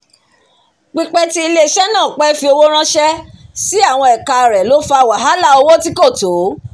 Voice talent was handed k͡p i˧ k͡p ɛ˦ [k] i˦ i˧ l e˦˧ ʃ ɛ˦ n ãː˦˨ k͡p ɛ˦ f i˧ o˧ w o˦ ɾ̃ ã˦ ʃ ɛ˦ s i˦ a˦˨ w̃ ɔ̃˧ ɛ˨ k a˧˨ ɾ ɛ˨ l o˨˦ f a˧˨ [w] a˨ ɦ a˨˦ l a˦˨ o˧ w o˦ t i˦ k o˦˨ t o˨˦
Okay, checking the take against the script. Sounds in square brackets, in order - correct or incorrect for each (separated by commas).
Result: incorrect, correct